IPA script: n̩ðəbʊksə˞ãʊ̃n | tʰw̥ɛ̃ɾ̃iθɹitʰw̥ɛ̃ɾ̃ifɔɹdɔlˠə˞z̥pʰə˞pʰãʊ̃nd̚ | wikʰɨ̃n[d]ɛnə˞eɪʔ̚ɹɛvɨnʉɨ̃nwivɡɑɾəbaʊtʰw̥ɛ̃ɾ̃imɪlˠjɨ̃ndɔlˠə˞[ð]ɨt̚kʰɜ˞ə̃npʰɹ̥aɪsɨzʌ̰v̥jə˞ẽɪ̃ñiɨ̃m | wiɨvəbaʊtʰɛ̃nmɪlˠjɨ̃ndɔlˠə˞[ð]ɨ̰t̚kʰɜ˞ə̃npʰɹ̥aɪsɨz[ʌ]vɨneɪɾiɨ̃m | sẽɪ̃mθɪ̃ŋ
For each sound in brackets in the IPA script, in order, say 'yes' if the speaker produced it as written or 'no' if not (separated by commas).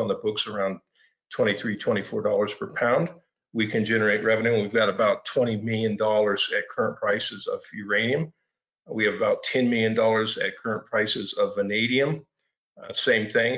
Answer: no, no, no, yes